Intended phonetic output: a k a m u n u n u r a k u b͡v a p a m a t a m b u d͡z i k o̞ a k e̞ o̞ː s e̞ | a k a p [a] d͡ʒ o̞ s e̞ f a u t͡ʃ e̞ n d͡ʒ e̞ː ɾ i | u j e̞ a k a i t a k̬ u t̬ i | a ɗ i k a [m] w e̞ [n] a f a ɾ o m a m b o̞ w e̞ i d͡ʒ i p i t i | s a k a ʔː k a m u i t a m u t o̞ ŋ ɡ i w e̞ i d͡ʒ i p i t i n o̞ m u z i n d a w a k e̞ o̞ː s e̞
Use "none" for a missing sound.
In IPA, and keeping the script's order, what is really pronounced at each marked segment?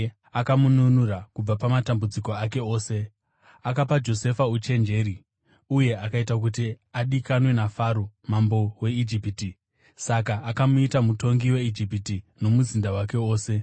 a, n, n

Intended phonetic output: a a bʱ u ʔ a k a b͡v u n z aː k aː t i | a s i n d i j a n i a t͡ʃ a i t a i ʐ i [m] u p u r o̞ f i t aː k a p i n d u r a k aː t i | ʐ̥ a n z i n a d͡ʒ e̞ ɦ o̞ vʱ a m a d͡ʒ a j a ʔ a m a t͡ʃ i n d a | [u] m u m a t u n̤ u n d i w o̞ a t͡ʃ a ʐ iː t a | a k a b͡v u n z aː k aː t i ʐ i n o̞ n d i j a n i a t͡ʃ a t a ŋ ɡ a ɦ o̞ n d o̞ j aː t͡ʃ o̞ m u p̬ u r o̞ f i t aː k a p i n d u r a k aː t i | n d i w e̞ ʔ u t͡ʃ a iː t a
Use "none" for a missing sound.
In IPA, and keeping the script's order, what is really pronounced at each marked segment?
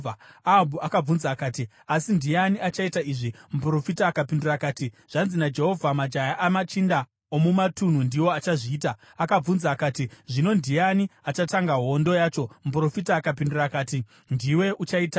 m, o

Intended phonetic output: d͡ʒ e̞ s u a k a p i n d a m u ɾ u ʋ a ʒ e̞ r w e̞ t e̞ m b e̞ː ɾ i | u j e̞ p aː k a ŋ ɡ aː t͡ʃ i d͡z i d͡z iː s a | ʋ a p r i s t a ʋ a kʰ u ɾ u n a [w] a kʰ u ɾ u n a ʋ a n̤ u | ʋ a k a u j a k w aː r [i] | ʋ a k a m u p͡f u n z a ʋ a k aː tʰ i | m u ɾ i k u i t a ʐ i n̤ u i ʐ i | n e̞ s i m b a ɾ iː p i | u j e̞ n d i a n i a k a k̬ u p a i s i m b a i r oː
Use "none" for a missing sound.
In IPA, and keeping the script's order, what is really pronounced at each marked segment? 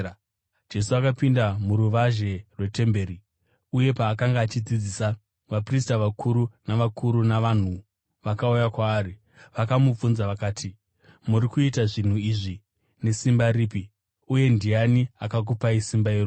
ʋ, i

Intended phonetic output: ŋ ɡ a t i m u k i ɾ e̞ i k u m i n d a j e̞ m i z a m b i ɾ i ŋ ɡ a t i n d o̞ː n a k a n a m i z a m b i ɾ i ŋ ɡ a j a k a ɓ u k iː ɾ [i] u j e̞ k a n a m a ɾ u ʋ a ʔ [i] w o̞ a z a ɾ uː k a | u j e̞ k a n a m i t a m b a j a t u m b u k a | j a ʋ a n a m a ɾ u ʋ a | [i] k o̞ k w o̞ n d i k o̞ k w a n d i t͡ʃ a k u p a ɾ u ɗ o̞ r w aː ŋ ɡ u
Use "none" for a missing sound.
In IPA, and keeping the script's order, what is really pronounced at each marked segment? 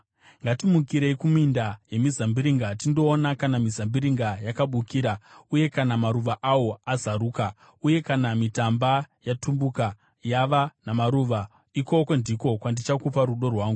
a, a, i

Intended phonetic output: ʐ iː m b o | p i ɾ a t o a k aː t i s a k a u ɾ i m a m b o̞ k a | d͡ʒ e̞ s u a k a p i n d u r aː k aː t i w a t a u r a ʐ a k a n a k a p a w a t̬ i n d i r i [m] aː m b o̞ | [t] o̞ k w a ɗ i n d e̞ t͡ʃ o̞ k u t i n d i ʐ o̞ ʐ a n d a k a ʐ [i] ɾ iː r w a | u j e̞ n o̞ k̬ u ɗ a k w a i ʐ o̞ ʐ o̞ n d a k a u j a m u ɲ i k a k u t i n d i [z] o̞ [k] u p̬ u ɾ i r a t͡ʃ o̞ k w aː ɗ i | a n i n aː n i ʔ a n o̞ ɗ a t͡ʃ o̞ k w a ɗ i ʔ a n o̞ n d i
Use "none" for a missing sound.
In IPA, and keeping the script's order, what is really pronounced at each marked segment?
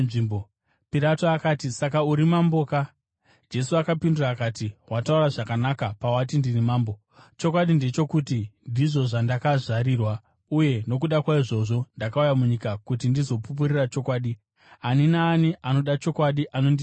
m, t͡ʃ, a, z, p

